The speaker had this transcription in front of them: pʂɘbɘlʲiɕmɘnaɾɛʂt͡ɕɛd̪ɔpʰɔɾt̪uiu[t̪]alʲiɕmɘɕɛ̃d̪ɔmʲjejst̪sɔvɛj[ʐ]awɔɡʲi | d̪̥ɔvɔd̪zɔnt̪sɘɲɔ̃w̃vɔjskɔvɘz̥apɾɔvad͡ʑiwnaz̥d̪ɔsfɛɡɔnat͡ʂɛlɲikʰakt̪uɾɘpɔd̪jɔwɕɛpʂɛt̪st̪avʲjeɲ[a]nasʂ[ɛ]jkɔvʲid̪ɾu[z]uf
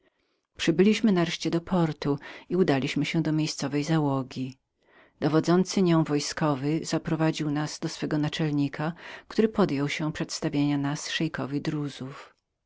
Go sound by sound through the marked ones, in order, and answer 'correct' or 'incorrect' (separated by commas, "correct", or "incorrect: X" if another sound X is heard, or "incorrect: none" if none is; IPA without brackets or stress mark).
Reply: incorrect: d̪, incorrect: z, correct, correct, correct